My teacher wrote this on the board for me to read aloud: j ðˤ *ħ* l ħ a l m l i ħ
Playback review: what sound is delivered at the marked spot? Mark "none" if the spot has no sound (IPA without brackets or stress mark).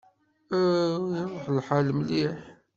ħ